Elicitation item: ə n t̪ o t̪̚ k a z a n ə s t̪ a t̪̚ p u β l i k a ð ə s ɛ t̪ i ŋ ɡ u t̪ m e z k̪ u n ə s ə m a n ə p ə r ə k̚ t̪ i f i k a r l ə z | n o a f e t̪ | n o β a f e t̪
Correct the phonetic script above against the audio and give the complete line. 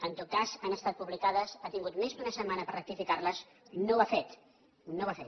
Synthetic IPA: ə n t̪ o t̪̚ k a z a n ə s t̪ a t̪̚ p u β l i k a ð ə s a t̪ i ŋ ɡ u t̪ m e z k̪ u n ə s ə m a n ə p ə r ə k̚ t̪ i f i k a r l ə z | n o a f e t̪ | n o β a f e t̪

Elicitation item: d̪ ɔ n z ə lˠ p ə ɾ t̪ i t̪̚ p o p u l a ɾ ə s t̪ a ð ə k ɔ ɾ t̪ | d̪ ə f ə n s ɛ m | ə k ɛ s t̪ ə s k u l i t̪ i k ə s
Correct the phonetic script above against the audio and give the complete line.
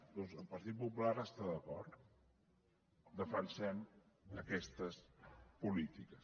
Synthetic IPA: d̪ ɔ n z ə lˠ p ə ɾ t̪ i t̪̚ p u p u l a ɾ ə s t̪ a ð ə k ɔ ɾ t̪ | d̪ ə f ə n s ɛ m | ə k ɛ s t̪ ə s p u l i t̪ i k ə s

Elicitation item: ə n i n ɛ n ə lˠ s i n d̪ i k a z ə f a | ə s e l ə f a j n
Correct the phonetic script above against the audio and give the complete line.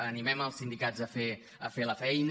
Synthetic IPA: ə n i m ɛ m ə lˠ s i n d̪ i k a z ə f e | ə f e l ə f ɛ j n

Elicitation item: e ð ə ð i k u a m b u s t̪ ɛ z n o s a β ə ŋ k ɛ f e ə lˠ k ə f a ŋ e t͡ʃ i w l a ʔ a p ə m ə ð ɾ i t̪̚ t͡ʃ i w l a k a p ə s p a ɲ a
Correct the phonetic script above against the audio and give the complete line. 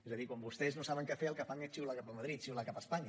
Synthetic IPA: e z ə ð i k w a m b u s t̪ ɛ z n o s a β ə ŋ k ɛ f e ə lˠ k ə f a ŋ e t͡ʃ i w l a k a p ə m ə ð ɾ i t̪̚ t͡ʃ i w l a k a p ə s p a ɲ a

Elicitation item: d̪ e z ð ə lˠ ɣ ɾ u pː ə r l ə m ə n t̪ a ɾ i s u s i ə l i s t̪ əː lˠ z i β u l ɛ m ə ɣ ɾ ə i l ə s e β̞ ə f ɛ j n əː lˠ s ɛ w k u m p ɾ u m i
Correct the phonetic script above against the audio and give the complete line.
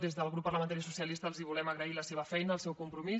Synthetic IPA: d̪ e z ð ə lˠ ɣ ɾ u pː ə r l ə m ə n t̪ a ɾ i s u s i ə l i s t̪ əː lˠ z i β u l ɛ m ə ɣ ɾ ə i l ə s e β̞ ə f ɛ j n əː lˠ s ɛ w k u m p ɾ u m i

